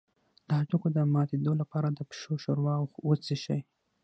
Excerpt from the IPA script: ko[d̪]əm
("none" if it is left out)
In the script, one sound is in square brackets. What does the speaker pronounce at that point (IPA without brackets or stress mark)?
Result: d̪